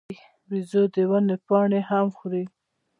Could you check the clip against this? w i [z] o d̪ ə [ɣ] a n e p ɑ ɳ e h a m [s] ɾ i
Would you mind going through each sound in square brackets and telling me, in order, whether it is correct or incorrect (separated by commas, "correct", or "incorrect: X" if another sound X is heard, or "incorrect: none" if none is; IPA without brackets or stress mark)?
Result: correct, incorrect: w, incorrect: x